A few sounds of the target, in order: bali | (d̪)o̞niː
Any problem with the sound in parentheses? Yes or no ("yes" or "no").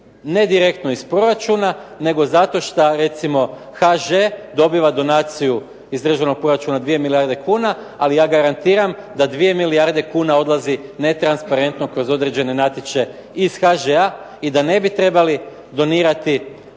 no